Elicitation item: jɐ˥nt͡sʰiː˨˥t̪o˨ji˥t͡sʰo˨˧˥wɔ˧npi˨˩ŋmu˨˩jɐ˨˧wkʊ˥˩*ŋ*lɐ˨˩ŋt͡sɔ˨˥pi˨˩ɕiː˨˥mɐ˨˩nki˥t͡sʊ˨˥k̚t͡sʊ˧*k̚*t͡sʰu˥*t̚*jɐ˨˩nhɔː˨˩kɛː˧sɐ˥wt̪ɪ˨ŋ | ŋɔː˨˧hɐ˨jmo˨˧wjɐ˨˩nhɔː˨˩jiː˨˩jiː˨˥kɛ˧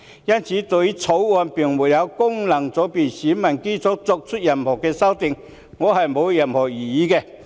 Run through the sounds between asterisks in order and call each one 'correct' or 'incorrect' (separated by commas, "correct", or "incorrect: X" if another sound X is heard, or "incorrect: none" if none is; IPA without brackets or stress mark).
correct, correct, correct